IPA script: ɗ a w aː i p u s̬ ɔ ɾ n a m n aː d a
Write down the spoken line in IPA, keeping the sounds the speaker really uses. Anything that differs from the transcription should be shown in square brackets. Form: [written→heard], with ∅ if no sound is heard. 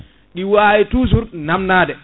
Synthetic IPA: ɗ [a→i] w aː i [p→t] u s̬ [ɔ→u] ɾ n a m n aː d [a→ɛ]